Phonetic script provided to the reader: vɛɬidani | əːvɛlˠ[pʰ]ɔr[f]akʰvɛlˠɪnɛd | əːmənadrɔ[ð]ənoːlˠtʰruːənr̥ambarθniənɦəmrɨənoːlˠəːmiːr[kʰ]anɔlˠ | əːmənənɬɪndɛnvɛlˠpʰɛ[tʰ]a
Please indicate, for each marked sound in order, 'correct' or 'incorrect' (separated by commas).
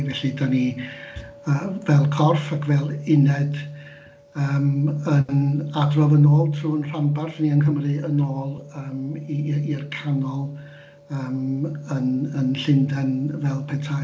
incorrect, correct, incorrect, correct, correct